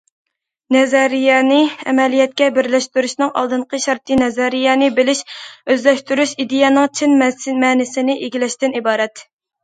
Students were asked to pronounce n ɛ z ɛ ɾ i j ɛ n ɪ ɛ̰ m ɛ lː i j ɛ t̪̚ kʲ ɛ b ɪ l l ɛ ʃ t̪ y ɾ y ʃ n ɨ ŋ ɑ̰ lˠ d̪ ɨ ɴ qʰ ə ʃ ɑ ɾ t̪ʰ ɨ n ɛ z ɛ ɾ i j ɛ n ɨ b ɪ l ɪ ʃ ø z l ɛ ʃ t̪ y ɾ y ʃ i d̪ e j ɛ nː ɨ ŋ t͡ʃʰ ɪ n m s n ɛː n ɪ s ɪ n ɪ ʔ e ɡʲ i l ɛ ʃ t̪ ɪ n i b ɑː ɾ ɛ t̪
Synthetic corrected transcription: n ɛ z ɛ ɾ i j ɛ n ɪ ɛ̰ m ɛ l i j ɛ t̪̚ kʲ ɛ b ɪ ɾ l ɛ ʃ t̪ y ɾ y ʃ n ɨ ŋ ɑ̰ lˠ d̪ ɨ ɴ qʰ ə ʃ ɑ ɾ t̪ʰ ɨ n ɛ z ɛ ɾ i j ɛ n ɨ b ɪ l ɪ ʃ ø z l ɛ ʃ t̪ y ɾ y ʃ i d̪ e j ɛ n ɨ ŋ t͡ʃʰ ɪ n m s m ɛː n ɪ s ɪ n ɪ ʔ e ɡʲ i l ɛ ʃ t̪ ɪ n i b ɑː ɾ ɛ t̪

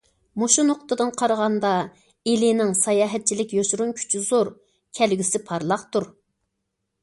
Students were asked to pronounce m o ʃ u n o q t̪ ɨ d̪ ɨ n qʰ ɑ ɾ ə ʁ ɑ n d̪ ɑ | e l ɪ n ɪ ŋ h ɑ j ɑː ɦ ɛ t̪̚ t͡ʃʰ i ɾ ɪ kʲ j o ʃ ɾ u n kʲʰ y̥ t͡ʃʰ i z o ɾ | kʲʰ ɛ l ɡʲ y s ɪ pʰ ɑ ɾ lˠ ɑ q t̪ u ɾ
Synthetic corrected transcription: m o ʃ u n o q t̪ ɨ d̪ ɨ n qʰ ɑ ɾ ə ʁ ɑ n d̪ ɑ | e l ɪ n ɪ ŋ s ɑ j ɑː ɦ ɛ t̪̚ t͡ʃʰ i l ɪ kʲ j o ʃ ɾ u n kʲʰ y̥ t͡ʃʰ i z o ɾ | kʲʰ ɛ l ɡʲ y s ɪ pʰ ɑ ɾ lˠ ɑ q t̪ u ɾ

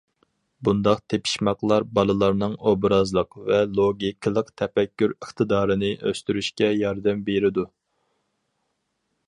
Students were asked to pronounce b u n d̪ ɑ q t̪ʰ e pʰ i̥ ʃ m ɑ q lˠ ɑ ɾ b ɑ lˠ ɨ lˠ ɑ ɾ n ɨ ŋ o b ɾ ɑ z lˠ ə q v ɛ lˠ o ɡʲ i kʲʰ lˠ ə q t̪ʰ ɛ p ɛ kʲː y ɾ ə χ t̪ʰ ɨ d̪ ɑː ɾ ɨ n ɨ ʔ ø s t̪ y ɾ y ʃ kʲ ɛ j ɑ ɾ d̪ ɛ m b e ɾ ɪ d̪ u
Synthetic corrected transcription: b u n d̪ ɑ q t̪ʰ e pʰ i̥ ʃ m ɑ q lˠ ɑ ɾ b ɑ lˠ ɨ lˠ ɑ ɾ n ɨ ŋ o b ɾ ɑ z lˠ ə q v ɛ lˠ o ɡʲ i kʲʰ lˠ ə q t̪ʰ ɛ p ɛ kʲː y ɾ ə χ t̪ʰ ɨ d̪ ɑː ɾ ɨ n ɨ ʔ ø s t̪ y ɾ y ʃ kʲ ɛ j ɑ ɾ d̪ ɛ m b e ɾ ɪ d̪ u

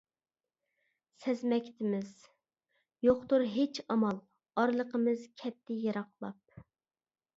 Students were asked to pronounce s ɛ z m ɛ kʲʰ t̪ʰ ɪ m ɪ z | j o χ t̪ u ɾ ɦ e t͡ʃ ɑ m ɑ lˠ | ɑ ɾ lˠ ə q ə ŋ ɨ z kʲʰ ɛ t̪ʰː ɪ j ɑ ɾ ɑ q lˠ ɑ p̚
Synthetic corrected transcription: s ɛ z m ɛ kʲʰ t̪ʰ ɪ m ɪ z | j o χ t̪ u ɾ ɦ e t͡ʃ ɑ m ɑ lˠ | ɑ ɾ lˠ ə q ə m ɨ z kʲʰ ɛ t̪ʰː ɪ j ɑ ɾ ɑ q lˠ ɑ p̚

